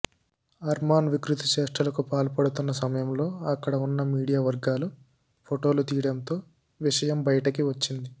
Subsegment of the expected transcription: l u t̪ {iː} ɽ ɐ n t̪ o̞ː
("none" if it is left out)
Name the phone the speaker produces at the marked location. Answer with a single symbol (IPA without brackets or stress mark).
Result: iː